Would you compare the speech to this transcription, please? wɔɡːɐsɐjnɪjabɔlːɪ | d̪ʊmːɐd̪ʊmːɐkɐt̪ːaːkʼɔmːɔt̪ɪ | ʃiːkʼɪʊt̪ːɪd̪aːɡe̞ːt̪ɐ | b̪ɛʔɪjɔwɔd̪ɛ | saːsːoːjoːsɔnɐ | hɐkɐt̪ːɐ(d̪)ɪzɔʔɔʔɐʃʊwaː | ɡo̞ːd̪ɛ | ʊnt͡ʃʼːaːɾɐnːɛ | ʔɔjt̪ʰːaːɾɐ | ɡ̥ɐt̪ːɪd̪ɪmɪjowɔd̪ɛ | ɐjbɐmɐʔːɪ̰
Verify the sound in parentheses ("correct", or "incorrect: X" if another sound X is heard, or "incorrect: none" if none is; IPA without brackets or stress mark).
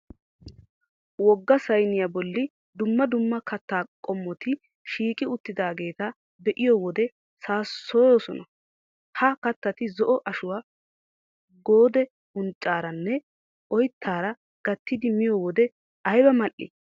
incorrect: t̪